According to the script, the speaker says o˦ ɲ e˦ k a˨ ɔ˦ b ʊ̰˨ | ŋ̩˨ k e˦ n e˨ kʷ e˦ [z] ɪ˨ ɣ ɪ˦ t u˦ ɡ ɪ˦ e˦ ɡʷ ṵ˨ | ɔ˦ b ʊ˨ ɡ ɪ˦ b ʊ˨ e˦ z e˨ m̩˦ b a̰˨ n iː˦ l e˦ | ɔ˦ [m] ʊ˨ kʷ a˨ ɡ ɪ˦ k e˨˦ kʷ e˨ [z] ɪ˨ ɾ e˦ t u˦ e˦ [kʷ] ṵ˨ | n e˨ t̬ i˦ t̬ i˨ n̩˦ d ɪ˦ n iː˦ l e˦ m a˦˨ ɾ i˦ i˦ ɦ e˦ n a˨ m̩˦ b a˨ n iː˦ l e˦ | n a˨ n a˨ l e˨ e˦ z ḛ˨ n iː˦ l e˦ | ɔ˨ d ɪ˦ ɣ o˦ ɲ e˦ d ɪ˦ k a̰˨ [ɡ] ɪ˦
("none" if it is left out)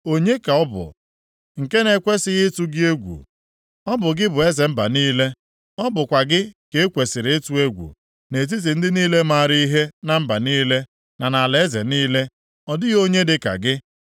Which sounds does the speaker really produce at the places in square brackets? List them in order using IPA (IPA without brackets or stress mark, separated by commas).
s, b, s, ɡʷ, ɡ